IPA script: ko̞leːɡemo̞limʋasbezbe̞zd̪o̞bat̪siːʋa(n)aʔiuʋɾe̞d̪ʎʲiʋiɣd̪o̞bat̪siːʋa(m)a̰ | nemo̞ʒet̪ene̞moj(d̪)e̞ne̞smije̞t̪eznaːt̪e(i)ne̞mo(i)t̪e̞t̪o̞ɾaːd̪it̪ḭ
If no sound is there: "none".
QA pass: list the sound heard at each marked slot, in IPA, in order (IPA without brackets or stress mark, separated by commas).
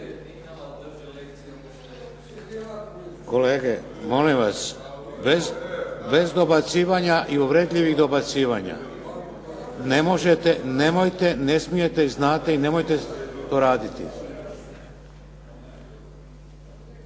ɲ, ɲ, t̪, i, j